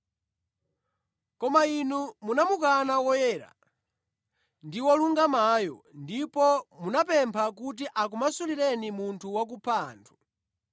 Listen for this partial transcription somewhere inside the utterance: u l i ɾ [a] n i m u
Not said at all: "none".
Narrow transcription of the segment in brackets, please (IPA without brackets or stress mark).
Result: ɛ